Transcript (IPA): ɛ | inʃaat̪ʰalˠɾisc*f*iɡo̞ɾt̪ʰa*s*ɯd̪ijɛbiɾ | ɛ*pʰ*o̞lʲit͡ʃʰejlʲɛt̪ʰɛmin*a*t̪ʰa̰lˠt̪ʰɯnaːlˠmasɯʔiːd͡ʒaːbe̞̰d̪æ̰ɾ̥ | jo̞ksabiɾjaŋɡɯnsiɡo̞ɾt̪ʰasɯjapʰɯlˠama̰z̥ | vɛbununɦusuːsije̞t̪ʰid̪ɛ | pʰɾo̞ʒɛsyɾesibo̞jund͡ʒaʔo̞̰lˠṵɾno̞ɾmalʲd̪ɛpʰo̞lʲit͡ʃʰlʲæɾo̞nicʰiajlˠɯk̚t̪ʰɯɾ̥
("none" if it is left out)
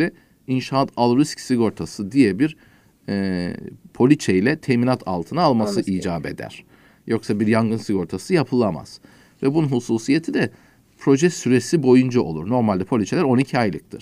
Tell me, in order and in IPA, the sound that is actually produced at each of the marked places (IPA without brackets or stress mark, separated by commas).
s, s, pʰ, a